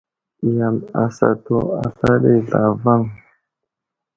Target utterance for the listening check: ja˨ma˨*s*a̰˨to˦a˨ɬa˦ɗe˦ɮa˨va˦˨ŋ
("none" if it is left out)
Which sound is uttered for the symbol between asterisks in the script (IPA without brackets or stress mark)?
s